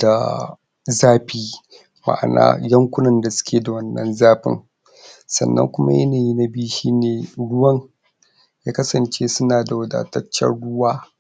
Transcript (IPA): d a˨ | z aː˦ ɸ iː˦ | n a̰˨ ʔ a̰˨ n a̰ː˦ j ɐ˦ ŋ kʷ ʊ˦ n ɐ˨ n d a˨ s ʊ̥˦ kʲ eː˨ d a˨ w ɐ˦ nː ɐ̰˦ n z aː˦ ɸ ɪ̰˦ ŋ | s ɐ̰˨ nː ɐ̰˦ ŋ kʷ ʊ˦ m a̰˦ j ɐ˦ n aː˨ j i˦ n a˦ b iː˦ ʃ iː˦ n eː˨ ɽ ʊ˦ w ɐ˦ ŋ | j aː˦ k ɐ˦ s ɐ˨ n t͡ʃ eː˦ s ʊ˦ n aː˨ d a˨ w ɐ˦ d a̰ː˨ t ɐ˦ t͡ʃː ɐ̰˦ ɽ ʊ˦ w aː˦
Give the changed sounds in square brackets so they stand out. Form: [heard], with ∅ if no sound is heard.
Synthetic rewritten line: d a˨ | z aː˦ ɸ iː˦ | [m] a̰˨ ʔ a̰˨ n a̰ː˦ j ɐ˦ ŋ kʷ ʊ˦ n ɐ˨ n d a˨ s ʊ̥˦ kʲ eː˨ d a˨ w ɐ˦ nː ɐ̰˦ n z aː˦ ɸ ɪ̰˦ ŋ | s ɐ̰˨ nː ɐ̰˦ ŋ kʷ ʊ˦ m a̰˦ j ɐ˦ n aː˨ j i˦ n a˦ b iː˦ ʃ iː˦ n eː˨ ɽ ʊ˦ w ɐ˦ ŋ | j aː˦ k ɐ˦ s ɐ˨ n t͡ʃ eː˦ s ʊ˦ n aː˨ d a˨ w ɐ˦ d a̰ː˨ t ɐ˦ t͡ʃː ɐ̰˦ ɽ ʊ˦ w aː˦

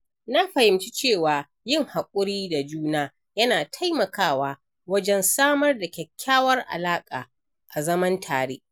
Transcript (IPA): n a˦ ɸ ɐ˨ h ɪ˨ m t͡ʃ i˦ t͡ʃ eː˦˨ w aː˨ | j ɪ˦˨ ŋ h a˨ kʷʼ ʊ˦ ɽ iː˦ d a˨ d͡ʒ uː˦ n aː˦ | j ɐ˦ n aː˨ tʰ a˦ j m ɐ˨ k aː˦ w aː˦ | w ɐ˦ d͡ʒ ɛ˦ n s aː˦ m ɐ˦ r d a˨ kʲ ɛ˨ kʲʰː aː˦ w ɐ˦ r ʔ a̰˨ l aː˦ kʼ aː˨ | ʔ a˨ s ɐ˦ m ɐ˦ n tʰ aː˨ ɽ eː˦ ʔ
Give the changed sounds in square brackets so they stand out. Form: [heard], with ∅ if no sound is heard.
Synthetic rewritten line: n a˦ ɸ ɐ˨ h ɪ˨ m t͡ʃ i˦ t͡ʃ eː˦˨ w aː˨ | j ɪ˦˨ ŋ h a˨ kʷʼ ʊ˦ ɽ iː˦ d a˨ d͡ʒ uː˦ n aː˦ | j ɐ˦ n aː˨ tʰ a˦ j m ɐ˨ k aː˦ w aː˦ | w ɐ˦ d͡ʒ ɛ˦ n s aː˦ m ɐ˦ r d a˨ kʲ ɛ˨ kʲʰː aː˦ w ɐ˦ r ʔ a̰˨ l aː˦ kʼ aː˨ | ʔ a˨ [z] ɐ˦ m ɐ˦ n tʰ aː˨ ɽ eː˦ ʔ

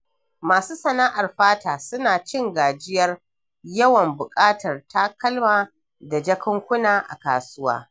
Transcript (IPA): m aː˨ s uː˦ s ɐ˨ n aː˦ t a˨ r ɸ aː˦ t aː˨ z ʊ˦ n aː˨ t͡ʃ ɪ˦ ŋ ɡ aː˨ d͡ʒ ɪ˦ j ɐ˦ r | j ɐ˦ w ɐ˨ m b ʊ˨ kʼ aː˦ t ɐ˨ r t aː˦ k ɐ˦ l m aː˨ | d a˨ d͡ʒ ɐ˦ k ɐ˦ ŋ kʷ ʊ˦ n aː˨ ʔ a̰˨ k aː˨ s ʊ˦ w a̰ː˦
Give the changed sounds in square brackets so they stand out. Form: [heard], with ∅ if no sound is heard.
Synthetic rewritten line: m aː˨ s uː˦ s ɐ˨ n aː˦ [ʔ] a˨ r ɸ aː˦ t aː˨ [s] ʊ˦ n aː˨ t͡ʃ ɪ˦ ŋ ɡ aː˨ d͡ʒ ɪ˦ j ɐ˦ r | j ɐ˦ w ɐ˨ m b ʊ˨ kʼ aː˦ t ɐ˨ r t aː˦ k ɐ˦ l m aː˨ | d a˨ d͡ʒ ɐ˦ k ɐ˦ ŋ kʷ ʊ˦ n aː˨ ʔ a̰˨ k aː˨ s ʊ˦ w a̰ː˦

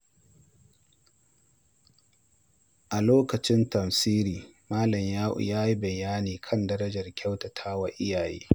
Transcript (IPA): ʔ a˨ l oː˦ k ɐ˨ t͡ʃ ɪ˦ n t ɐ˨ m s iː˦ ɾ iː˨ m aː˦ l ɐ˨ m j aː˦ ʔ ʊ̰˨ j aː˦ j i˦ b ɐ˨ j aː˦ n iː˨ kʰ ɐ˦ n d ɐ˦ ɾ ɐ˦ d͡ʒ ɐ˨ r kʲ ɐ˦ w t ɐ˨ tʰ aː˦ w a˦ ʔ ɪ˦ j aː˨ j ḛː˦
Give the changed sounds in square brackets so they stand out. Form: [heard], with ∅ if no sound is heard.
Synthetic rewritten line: ʔ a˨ l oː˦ k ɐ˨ t͡ʃ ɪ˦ n t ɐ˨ m s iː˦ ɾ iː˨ m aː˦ l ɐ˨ m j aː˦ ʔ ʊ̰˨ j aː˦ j i˦ b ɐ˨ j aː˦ n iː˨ kʰ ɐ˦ n d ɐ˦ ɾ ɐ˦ d͡ʒ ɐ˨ r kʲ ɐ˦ w t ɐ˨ tʰ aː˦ w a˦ ʔ ɪ˦ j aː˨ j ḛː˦

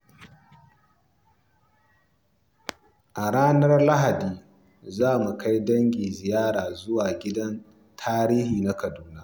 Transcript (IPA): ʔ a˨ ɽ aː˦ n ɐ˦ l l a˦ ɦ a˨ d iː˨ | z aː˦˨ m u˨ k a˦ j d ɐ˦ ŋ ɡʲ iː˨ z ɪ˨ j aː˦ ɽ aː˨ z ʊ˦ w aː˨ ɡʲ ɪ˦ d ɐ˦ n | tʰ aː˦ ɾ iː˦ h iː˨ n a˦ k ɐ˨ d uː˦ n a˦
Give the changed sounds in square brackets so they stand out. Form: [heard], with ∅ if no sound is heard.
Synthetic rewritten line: ʔ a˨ ɽ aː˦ n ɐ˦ [r] l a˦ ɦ a˨ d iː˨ | z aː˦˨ m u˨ k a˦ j d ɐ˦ ŋ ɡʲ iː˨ z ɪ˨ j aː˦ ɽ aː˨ z ʊ˦ w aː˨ ɡʲ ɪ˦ d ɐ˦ n | tʰ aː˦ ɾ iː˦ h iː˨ n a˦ k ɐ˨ d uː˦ n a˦

